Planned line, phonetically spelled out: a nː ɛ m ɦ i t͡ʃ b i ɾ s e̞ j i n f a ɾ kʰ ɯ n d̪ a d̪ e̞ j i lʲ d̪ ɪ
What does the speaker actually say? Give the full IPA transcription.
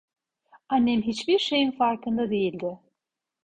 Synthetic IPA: a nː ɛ m ɦ i t͡ʃ b i ɾ ʃ e̞ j i n f a ɾ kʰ ɯ n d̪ a d̪ e̞ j i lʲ d̪ ɪ